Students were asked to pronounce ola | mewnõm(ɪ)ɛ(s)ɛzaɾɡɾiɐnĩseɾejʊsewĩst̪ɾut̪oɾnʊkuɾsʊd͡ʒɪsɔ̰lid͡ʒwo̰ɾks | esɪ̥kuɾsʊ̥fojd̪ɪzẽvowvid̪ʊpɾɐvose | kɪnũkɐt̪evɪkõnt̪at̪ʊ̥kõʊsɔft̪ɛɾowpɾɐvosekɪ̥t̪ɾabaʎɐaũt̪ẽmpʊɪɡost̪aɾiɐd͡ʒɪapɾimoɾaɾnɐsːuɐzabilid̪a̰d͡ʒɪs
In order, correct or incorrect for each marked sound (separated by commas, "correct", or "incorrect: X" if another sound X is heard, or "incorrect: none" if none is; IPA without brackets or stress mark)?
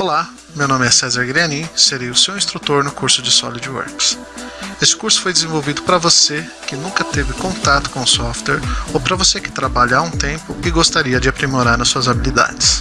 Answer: correct, correct